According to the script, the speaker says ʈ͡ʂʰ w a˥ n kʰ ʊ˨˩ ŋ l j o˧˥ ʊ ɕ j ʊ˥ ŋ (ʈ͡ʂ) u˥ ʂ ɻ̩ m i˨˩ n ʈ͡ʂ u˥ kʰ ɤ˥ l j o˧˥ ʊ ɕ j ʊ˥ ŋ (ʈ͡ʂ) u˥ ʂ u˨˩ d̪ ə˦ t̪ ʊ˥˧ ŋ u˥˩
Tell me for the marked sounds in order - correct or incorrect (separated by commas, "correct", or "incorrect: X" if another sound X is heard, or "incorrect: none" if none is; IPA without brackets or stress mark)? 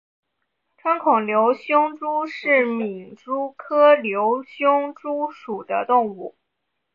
correct, correct